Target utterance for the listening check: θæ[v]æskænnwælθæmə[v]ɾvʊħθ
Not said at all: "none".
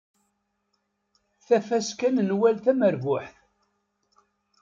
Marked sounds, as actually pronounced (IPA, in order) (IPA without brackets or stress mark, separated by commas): f, none